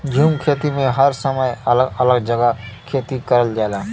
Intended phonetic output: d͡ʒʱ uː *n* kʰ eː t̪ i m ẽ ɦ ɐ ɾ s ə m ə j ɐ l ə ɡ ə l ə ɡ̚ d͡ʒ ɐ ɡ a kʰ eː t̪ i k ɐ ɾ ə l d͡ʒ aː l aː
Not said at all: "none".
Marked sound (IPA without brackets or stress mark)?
m